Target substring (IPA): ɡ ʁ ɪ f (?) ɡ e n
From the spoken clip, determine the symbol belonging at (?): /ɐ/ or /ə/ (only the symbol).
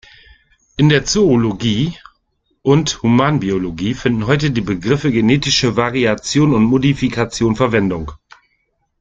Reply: ə